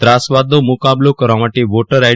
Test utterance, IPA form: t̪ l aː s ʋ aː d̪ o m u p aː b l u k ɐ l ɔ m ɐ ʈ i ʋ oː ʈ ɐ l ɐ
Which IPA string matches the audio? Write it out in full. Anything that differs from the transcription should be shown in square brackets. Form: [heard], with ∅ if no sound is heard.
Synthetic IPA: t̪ [ɾ] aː s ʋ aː d̪ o m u [k] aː b l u k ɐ [ɾ] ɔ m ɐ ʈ i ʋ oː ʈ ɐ [ɾ] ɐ